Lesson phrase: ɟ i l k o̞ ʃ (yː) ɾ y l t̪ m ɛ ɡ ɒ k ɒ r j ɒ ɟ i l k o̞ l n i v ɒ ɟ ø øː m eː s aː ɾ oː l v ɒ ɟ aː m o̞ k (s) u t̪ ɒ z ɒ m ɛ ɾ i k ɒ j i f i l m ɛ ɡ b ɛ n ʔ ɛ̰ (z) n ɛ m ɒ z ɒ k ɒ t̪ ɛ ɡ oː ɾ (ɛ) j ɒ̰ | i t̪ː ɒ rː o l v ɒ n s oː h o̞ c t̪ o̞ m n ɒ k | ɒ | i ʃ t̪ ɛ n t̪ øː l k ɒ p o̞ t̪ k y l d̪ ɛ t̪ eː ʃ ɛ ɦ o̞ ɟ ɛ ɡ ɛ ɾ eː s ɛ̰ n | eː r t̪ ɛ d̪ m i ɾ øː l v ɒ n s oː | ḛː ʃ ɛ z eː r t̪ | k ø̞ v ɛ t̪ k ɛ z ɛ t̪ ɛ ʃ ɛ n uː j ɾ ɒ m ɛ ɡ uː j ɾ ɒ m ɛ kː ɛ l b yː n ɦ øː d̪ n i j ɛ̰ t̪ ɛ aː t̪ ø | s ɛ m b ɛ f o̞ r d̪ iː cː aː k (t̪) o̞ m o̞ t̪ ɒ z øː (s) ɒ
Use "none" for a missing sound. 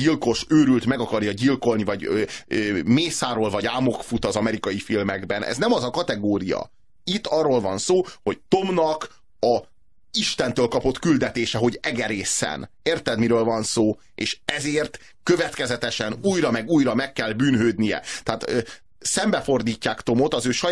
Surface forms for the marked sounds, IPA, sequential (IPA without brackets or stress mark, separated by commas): øː, f, z, i, t̪, ʃ